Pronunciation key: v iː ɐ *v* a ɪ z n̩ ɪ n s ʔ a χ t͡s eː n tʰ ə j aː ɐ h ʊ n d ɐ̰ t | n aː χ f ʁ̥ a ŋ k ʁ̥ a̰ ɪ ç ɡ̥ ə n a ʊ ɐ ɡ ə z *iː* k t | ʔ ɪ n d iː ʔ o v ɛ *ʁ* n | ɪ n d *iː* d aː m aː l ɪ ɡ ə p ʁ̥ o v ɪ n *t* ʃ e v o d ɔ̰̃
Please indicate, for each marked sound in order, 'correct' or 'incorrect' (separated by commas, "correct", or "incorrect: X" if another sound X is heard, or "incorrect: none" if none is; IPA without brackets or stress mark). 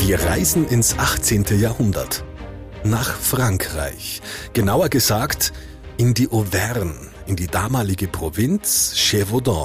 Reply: incorrect: ʁ, incorrect: aː, correct, correct, incorrect: t͡s